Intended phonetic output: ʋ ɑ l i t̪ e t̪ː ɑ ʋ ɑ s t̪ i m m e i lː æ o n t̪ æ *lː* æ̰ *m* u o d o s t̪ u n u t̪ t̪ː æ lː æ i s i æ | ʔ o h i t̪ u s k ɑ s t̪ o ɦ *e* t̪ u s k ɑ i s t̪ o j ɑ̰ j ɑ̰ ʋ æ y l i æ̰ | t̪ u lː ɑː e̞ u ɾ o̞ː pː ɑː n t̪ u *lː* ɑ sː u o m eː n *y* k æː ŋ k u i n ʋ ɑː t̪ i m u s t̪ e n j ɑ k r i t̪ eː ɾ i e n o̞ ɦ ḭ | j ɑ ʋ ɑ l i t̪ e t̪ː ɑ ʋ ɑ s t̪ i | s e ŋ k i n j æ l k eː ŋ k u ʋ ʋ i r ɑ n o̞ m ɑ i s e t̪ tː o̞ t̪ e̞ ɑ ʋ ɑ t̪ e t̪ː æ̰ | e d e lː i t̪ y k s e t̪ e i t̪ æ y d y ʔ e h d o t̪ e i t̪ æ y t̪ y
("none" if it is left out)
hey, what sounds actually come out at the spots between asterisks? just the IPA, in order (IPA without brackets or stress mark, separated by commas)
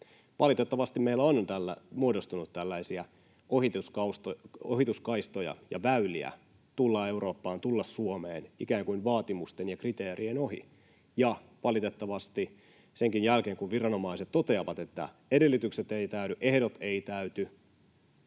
lː, m, i, lː, i